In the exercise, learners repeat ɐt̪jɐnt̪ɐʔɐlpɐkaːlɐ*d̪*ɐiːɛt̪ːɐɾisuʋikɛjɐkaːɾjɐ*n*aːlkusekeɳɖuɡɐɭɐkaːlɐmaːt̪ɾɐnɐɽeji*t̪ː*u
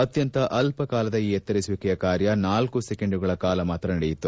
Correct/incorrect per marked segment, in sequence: correct, correct, correct

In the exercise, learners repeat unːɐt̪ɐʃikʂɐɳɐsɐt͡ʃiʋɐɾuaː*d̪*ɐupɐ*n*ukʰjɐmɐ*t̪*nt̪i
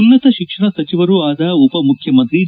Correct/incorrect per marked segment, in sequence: correct, incorrect, incorrect

